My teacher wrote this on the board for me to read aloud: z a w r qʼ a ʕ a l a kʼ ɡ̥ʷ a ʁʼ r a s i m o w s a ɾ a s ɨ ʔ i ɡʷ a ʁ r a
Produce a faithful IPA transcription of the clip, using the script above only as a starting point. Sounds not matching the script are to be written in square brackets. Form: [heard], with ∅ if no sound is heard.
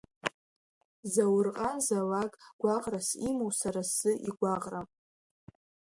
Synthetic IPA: z a w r qʼ a [z] a l a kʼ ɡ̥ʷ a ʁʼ r a s i m o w s a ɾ a s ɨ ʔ i ɡʷ a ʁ r a